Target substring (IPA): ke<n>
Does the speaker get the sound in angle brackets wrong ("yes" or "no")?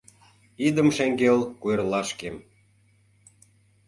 yes